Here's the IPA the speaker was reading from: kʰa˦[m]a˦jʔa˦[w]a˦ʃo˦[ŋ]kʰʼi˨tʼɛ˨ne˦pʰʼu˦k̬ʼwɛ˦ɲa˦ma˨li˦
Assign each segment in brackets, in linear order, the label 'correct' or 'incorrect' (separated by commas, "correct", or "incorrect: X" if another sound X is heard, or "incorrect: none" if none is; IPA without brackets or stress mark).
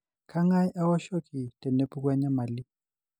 incorrect: ŋ, correct, incorrect: none